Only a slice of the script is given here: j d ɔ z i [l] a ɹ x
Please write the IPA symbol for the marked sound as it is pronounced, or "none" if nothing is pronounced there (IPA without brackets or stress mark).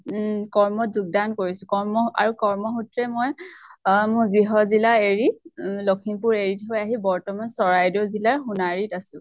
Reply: l